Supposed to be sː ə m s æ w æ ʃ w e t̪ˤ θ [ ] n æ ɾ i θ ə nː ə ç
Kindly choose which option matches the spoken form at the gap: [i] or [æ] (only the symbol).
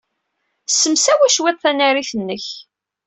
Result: æ